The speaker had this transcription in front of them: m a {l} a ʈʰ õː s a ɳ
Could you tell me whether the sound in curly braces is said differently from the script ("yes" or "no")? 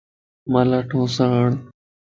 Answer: no